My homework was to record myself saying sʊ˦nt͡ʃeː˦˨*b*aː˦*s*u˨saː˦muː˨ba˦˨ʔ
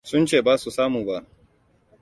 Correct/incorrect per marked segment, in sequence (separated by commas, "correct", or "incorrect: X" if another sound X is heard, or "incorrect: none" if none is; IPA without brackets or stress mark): correct, correct